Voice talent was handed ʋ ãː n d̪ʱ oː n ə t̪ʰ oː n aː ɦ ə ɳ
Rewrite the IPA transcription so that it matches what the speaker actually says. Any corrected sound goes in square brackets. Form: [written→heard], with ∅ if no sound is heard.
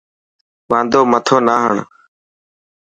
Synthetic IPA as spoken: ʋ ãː n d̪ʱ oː [n→m] ə t̪ʰ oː n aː ɦ ə ɳ